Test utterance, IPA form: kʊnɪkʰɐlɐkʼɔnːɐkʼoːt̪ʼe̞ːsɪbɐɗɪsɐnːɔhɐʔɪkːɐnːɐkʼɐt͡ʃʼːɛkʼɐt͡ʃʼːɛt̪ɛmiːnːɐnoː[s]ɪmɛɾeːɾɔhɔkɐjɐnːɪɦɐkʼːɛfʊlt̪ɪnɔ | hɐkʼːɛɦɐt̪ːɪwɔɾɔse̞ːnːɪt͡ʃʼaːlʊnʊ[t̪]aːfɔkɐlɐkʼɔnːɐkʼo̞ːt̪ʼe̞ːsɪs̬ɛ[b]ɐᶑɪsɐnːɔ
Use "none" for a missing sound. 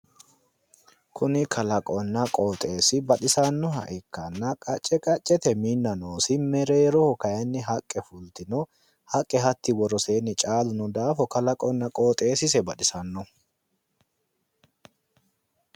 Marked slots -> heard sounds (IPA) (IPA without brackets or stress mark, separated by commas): s, d̪, b